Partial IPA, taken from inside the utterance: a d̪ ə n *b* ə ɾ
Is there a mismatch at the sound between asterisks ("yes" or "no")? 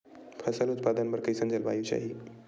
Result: no